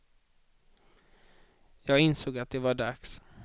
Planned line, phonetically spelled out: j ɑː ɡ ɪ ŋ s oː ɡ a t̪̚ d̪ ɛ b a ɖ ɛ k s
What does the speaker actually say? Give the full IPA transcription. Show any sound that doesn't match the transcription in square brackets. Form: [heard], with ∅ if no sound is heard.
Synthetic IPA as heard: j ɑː ɡ ɪ [n] s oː ɡ a t̪̚ d̪ ɛ [v] a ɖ [a] k s

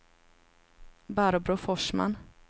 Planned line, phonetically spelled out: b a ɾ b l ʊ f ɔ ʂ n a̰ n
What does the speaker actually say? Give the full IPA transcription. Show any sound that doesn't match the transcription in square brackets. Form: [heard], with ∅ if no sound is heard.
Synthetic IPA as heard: b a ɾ b [ɾ] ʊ f ɔ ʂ [m] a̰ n

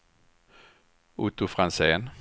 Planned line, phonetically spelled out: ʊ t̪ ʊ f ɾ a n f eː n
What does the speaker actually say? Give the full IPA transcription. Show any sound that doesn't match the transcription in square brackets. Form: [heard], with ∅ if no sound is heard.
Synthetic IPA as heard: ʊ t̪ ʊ f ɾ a n [s] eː n

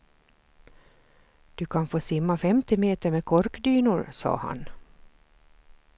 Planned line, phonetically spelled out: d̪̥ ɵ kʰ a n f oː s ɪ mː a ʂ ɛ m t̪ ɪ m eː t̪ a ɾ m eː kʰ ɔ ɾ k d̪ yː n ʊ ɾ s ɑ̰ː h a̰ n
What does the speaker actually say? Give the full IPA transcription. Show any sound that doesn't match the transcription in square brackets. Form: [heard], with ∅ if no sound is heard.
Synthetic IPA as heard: d̪̥ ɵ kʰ a n f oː s ɪ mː a [f] ɛ m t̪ ɪ m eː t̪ [ə] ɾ m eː kʰ ɔ ɾ k d̪ yː n ʊ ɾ s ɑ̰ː h a̰ n

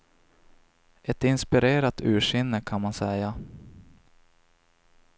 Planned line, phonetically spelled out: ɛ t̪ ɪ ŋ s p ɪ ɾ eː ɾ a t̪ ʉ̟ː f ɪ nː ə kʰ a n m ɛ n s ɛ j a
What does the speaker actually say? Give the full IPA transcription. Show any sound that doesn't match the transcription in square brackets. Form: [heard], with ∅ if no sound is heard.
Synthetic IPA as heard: ɛ t̪ ɪ [n] s p ɪ ɾ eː ɾ a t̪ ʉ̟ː [ʂ] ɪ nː ə kʰ a n m [a] n s ɛ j a

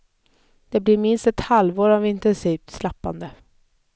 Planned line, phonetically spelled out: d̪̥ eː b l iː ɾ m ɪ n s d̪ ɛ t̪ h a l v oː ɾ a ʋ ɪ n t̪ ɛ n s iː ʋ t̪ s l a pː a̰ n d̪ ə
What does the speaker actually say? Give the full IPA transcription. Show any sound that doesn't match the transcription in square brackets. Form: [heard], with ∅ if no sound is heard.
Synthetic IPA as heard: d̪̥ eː b l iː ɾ m ɪ n s [t̪] ɛ t̪ h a l [ʋ] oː ɾ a ʋ ɪ n t̪ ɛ n s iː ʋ t̪ s l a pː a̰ n d̪ ə

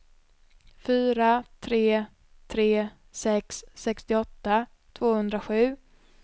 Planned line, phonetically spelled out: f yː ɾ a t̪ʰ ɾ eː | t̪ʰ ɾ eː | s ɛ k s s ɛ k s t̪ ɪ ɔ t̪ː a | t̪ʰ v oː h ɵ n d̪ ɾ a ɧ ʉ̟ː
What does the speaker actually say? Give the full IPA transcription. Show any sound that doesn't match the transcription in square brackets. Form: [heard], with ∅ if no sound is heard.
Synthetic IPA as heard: f yː ɾ a t̪ʰ ɾ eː | t̪ʰ ɾ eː | s ɛ k s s ɛ k s t̪ ɪ ɔ t̪ː a | t̪ʰ v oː h ɵ n d̪ ɾ a ɧ ʉ̟ː

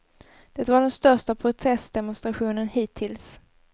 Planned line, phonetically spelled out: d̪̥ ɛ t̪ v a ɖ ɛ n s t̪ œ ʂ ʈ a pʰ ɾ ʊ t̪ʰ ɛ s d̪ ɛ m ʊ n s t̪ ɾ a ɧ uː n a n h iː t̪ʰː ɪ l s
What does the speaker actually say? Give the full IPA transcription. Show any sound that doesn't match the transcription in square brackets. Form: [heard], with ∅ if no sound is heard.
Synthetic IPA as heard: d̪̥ ɛ t̪ v a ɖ ɛ n s t̪ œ ʂ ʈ a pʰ ɾ ʊ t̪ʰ ɛ s d̪ ɛ m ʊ n s t̪ ɾ a ɧ uː n [ə] n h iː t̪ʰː ɪ l s

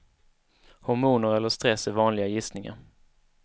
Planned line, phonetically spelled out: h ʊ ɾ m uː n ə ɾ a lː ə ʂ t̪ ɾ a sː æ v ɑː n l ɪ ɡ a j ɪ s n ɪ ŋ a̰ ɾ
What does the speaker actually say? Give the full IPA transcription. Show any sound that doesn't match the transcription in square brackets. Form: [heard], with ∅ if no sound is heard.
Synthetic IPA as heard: h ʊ ɾ m uː n ə ɾ [ɛ] lː ə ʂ t̪ ɾ [ɛ] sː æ v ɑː n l ɪ ɡ a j ɪ s n ɪ ŋ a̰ ɾ

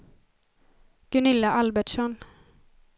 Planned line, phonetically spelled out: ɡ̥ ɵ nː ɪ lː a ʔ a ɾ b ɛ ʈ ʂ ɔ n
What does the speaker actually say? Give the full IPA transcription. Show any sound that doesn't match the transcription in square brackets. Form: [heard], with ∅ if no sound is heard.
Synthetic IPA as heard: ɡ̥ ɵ [n] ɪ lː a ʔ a [l] b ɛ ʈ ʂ ɔ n

